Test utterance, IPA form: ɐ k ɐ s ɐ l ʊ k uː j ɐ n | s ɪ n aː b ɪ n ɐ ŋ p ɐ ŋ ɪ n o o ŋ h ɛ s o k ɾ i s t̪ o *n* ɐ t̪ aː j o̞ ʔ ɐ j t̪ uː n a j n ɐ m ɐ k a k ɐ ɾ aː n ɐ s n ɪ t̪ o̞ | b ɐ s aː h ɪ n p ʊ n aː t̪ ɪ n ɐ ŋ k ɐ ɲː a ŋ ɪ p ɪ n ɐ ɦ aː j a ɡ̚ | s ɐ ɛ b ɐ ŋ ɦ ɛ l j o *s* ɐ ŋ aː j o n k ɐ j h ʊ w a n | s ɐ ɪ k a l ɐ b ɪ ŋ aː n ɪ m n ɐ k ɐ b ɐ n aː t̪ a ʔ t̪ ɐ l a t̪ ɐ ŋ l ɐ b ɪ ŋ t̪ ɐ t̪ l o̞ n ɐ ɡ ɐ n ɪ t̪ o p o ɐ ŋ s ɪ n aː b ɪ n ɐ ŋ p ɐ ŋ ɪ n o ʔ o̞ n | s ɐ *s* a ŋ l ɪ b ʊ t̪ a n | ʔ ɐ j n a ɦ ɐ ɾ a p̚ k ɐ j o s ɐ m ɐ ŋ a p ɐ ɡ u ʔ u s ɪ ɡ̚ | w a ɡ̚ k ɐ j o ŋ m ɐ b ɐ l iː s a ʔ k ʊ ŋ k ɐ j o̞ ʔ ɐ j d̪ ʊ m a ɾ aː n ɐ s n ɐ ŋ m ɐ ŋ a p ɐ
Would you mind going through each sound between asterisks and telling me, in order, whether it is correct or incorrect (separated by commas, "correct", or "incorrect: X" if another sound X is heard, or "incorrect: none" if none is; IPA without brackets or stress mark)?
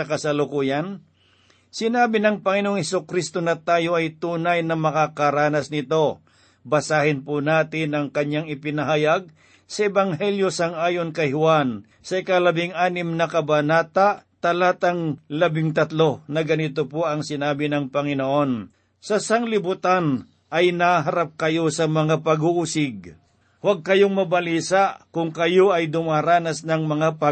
correct, correct, correct